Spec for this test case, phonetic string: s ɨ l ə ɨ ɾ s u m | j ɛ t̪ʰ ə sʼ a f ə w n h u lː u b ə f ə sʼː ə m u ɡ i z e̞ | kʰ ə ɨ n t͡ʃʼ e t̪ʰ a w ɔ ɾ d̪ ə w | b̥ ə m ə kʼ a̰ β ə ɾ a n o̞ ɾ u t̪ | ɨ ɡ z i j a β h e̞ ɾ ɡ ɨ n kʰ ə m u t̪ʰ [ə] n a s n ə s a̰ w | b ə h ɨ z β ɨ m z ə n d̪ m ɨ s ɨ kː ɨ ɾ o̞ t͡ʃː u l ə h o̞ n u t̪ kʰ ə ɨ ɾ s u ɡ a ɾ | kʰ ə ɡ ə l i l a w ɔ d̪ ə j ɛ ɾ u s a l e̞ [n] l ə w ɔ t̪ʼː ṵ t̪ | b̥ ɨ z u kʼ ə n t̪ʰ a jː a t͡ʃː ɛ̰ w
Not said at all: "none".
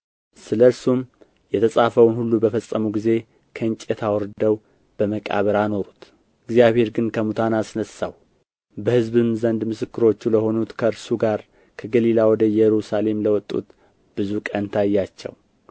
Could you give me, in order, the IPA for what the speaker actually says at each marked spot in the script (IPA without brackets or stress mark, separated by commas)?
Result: a, m